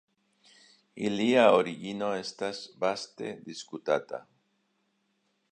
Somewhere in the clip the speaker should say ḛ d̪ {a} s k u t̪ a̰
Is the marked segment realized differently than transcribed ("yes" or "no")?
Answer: yes